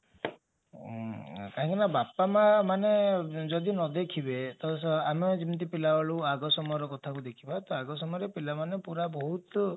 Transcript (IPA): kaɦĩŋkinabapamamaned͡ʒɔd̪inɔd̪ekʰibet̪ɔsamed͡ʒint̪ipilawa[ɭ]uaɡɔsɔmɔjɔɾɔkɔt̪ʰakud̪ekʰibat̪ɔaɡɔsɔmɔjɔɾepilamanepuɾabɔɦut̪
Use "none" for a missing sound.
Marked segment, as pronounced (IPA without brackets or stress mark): ɭ